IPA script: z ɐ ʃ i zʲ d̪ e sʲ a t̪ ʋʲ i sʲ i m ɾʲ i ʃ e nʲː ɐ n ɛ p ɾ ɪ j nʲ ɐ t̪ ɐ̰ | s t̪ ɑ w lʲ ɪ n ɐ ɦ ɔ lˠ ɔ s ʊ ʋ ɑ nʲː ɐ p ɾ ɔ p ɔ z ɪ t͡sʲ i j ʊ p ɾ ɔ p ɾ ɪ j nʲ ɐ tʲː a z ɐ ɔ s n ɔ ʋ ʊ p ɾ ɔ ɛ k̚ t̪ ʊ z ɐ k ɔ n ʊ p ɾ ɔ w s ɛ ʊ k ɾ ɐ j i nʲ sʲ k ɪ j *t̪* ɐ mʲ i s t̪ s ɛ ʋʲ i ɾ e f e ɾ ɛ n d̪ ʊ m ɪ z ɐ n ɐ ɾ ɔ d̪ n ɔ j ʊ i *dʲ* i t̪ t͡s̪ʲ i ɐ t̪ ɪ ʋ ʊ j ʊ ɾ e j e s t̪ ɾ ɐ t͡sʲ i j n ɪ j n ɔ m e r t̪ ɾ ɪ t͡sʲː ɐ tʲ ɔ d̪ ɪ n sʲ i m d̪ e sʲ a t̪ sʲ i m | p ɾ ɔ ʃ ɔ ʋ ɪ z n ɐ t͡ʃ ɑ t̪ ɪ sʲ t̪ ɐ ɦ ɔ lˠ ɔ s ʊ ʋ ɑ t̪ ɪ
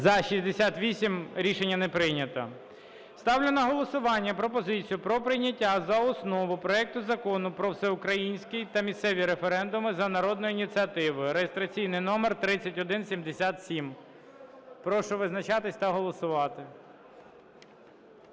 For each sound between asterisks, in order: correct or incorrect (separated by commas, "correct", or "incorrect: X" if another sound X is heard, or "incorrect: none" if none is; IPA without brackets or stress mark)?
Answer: correct, incorrect: nʲ